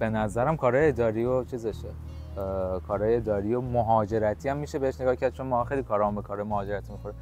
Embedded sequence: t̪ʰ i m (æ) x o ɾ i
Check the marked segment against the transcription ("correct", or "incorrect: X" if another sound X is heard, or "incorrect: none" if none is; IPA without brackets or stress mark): incorrect: i